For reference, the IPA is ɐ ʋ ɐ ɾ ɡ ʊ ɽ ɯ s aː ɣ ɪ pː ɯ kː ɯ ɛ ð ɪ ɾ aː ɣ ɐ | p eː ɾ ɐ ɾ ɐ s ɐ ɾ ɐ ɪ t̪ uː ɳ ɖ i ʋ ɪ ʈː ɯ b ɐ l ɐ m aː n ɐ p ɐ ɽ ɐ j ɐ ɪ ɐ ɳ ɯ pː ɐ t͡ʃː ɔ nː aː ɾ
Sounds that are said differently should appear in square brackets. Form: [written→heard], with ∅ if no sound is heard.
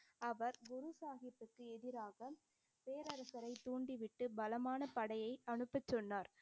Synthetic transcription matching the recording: ɐ ʋ ɐ ɾ ɡ ʊ [ɽ→ɾ] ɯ s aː ɣ ɪ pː ɯ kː ɯ ɛ ð ɪ ɾ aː ɣ ɐ | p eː ɾ ɐ ɾ ɐ s ɐ ɾ ɐ ɪ t̪ uː ɳ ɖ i ʋ ɪ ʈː ɯ b ɐ l ɐ m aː n ɐ p ɐ ɽ ɐ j ɐ ɪ ɐ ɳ ɯ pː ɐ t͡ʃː ɔ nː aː ɾ